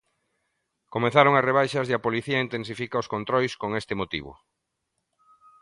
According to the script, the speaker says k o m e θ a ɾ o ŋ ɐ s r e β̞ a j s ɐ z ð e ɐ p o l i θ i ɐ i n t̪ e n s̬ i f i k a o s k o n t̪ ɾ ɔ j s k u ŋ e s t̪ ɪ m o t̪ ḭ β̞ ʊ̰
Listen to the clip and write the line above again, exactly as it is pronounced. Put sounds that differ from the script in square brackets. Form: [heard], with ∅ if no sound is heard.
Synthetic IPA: k o m e θ a ɾ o ŋ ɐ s r e β̞ a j [ʃ] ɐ z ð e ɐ p o l i θ i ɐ i n t̪ e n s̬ i f i k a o s k o n t̪ ɾ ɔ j s k [o] ŋ e s t̪ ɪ m o t̪ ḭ β̞ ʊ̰